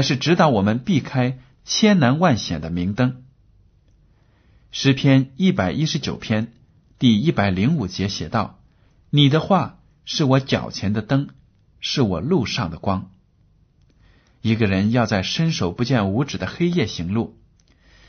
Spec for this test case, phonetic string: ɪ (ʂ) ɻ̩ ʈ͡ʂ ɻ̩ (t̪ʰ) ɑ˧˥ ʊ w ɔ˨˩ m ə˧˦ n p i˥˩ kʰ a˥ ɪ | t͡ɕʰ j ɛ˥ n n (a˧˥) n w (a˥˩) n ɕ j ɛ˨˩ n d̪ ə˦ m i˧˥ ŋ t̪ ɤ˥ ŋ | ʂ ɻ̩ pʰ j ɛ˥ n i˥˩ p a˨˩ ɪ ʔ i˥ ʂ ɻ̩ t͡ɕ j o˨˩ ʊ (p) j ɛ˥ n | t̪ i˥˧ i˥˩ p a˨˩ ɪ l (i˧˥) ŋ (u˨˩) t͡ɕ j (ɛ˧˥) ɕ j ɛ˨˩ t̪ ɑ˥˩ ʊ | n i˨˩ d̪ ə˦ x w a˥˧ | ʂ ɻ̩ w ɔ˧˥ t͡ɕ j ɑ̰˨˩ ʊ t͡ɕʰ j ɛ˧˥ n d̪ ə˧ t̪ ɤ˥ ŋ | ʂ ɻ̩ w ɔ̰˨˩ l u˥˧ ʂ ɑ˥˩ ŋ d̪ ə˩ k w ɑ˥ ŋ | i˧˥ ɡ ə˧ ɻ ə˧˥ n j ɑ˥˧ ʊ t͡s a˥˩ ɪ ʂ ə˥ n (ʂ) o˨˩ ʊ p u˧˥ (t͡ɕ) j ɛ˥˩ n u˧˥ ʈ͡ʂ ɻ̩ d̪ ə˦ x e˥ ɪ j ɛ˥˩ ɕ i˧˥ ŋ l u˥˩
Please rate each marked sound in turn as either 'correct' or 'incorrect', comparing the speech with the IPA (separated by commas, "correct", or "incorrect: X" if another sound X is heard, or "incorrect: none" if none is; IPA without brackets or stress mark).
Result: correct, incorrect: t̪, correct, correct, incorrect: pʰ, correct, correct, correct, correct, correct